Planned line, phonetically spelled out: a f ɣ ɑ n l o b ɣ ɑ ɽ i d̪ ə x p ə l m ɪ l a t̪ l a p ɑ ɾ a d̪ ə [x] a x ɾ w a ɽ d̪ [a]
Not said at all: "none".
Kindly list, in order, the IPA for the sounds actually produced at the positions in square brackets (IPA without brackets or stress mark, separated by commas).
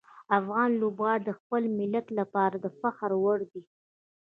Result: f, i